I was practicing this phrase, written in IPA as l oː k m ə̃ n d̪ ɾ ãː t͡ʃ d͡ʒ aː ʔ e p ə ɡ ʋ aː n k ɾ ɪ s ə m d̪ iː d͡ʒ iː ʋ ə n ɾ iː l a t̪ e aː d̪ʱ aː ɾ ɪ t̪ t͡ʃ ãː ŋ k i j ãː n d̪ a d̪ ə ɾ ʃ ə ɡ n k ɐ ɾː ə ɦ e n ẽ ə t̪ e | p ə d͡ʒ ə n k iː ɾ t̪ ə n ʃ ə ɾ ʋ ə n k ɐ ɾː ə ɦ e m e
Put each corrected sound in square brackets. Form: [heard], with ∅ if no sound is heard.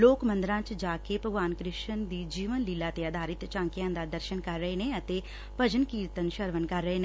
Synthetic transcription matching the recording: l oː k m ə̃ n d̪ ɾ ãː t͡ʃ d͡ʒ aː [k] e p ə ɡ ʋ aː n k ɾ ɪ [ʃ] ə [n] d̪ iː d͡ʒ iː ʋ ə n [l] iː l a t̪ e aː d̪ʱ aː ɾ ɪ t̪ t͡ʃ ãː ŋ k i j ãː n d̪ a d̪ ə ɾ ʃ ə [∅] n k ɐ ɾː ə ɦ e n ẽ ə t̪ e | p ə d͡ʒ ə n k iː ɾ t̪ ə n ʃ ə ɾ ʋ ə n k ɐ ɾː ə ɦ e [n] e